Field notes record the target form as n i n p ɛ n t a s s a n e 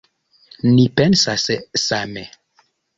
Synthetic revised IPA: n i p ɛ n s a s s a m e